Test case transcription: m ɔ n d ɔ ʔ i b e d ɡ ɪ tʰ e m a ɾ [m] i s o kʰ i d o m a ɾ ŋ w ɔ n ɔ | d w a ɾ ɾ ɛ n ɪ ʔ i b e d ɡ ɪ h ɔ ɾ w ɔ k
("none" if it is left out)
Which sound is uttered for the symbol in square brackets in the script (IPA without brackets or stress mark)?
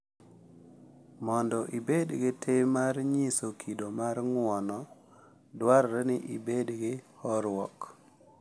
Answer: ɲ